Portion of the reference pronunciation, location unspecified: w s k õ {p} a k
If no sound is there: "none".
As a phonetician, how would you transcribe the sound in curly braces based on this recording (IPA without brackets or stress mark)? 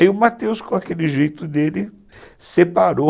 none